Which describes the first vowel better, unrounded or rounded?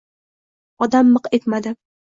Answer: rounded